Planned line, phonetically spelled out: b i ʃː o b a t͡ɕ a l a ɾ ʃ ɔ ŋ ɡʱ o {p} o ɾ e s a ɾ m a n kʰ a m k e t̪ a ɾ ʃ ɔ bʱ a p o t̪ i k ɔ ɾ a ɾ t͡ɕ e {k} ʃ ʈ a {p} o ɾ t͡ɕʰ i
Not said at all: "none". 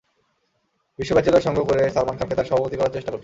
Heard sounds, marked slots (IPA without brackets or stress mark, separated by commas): k, none, k